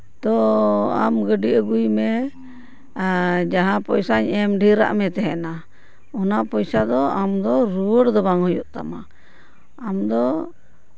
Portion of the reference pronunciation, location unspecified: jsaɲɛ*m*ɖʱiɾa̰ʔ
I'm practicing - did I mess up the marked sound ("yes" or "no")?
no